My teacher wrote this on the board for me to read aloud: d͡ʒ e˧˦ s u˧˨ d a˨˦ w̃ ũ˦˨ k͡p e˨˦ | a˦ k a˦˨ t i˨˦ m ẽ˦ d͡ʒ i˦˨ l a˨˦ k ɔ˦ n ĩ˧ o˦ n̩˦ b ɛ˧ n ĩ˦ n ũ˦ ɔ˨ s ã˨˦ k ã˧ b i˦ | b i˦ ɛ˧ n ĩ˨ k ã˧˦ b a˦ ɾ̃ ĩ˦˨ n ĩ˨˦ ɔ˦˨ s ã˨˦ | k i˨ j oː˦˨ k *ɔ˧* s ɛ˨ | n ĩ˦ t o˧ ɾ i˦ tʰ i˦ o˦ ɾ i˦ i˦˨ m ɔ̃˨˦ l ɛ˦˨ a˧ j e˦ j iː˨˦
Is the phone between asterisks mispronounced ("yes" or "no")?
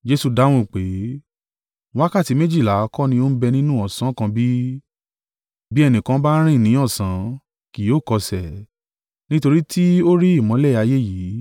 no